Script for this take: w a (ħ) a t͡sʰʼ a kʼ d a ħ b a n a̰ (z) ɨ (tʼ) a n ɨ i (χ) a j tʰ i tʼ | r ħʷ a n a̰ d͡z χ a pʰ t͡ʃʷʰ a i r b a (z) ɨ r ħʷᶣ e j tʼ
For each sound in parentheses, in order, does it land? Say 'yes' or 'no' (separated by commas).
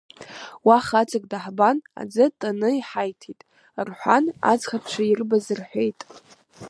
no, no, yes, no, yes